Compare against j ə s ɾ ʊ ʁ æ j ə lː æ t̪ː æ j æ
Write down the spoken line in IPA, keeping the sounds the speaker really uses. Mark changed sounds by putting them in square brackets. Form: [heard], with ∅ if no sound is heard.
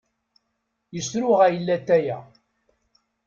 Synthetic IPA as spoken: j ə s ɾ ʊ ʁ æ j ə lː æ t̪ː æ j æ